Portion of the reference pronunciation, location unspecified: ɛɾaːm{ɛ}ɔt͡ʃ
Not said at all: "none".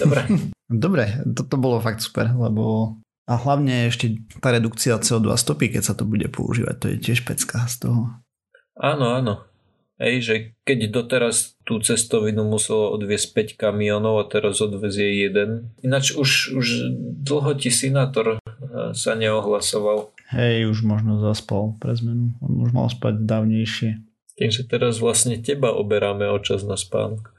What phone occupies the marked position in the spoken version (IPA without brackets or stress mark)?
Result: ɛ